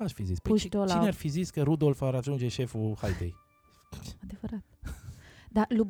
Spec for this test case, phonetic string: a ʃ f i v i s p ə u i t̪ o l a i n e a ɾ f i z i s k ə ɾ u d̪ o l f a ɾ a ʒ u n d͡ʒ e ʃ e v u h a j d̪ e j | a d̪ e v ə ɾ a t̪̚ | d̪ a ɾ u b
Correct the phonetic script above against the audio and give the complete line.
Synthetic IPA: a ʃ f i z i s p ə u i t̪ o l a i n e a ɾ f i z i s k ə ɾ u d̪ o l f a ɾ a ʒ u n d͡ʒ e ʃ e f u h a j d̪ e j | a d̪ e v ə ɾ a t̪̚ | d̪ a l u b